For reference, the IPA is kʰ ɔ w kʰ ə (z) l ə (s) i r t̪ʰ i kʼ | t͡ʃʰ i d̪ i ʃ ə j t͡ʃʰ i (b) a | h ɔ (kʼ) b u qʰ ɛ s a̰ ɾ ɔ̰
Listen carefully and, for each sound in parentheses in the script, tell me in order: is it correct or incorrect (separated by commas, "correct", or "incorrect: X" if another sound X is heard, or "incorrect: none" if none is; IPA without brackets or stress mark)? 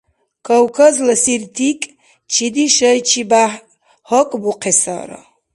correct, correct, correct, correct